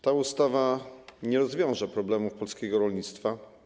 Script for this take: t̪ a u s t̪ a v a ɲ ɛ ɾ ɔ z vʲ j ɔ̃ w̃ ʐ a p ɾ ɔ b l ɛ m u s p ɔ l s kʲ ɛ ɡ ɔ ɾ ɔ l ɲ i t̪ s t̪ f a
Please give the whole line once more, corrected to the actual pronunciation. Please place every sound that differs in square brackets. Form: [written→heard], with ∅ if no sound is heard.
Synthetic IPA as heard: t̪ a u s t̪ a v a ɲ ɛ ɾ ɔ z vʲ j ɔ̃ w̃ ʐ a p ɾ ɔ b l ɛ m u [s→f] p ɔ l s kʲ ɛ ɡ ɔ ɾ ɔ l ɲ i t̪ s t̪ f a